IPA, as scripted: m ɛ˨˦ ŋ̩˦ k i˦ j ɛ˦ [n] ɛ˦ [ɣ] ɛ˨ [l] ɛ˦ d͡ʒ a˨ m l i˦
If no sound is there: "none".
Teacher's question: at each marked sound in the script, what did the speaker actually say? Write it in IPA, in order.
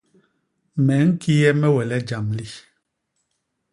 m, w, l

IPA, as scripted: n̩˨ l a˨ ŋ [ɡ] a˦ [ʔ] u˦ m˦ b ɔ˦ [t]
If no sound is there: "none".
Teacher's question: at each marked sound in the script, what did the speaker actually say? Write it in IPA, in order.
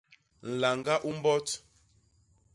ɡ, ʔ, t

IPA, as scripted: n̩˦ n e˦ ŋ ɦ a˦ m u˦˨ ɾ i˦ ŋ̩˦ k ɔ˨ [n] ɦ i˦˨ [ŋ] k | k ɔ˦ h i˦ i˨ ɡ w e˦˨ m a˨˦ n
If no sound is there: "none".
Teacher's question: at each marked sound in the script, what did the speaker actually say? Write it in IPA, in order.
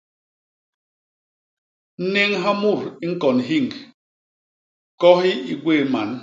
n, ŋ

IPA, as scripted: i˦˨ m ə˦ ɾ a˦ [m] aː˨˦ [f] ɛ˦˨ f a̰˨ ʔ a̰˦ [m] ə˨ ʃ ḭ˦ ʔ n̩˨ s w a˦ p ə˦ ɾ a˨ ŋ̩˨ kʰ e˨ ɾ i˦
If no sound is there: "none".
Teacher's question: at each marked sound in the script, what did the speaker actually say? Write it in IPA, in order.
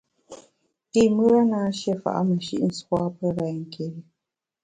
n, ʃ, m

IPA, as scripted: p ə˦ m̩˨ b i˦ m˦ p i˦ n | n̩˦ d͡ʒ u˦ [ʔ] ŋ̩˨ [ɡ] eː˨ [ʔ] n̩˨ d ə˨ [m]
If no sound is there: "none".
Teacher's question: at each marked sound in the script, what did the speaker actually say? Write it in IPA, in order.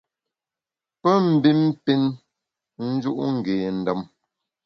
ʔ, ɡ, none, m

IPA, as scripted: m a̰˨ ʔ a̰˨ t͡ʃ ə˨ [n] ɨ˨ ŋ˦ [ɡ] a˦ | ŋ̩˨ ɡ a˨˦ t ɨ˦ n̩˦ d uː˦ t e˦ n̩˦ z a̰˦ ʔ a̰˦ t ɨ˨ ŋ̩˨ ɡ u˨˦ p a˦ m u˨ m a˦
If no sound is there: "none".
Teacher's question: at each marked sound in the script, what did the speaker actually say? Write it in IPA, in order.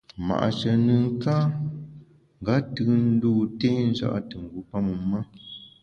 n, k

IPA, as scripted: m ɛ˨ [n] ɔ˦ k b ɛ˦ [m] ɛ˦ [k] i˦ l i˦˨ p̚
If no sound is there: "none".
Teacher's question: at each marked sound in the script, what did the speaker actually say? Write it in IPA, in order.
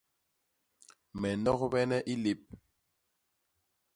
n, n, ʔ

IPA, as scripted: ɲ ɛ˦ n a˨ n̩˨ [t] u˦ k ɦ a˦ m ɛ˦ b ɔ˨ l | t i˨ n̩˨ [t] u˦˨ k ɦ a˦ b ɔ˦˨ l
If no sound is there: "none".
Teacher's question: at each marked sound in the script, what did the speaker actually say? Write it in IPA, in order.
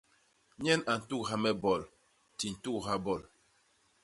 t, t

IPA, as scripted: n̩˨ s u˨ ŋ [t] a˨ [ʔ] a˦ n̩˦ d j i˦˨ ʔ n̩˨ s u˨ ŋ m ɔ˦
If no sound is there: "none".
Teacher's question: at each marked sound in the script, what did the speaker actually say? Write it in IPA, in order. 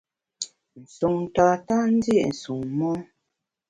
t, t

